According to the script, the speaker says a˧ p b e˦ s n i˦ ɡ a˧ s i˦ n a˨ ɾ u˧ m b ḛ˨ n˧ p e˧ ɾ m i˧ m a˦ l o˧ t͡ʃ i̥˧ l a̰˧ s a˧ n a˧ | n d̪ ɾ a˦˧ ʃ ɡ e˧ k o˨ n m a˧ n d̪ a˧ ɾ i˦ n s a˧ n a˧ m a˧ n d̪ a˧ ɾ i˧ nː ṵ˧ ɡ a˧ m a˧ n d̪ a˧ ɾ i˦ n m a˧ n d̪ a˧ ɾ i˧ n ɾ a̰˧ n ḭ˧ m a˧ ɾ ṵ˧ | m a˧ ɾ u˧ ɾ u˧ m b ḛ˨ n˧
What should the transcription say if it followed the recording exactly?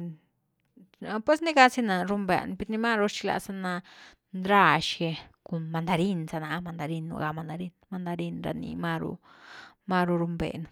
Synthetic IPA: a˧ p w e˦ s n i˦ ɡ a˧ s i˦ n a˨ ɾ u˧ m b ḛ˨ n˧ p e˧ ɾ n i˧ m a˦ ɾ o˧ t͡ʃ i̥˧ l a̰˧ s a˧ n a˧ | n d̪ ɾ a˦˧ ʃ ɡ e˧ k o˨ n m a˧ n d̪ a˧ ɾ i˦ n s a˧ n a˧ m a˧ n d̪ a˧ ɾ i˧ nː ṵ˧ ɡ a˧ m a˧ n d̪ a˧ ɾ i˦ n m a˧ n d̪ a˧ ɾ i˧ n ɾ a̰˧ n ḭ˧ m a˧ ɾ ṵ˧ | m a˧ ɾ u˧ ɾ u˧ m b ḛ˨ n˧

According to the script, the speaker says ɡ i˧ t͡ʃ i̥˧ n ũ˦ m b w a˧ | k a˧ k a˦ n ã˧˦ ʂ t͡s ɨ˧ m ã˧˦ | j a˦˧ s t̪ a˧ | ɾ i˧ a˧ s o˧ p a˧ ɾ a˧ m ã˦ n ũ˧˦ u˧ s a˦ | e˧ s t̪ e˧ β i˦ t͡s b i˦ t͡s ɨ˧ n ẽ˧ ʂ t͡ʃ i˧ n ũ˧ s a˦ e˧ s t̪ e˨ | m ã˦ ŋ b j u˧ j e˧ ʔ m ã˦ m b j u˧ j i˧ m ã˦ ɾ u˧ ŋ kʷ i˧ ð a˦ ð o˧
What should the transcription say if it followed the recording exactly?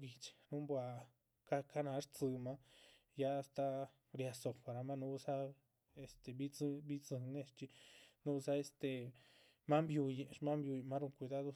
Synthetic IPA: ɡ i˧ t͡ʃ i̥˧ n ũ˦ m b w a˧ | k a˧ k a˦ n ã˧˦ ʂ t͡s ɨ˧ m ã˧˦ | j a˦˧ s t̪ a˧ | ɾ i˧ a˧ s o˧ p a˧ ɾ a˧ m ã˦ n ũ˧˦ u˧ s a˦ | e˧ s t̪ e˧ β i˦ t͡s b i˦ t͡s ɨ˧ n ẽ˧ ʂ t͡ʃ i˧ n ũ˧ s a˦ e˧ s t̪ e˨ | m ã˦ m b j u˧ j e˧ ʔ m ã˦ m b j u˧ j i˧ m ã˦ ɾ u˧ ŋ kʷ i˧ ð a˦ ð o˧

